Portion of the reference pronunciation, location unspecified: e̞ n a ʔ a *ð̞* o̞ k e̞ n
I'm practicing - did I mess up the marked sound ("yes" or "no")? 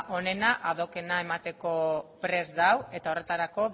no